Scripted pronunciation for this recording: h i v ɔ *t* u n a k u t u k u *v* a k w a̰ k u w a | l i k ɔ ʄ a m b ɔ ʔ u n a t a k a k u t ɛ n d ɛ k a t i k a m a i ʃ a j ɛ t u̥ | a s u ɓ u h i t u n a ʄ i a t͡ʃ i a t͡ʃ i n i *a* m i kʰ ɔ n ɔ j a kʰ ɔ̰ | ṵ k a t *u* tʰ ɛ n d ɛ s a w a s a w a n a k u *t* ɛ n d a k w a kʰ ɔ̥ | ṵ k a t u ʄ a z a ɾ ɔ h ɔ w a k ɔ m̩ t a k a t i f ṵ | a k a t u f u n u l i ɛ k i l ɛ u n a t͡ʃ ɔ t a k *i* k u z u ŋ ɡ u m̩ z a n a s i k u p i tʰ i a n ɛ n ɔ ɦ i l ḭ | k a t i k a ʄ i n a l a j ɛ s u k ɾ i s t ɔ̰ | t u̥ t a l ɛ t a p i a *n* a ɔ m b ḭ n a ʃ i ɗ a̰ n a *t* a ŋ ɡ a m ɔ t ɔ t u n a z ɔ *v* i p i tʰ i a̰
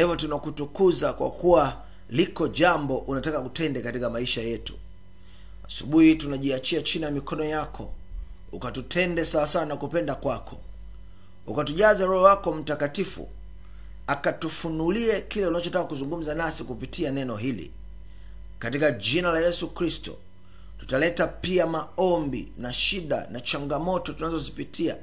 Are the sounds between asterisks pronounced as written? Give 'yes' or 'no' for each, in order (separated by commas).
yes, no, yes, yes, no, no, no, no, no